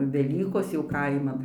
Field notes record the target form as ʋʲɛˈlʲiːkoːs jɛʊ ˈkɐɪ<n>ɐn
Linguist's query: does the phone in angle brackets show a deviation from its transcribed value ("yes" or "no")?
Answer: yes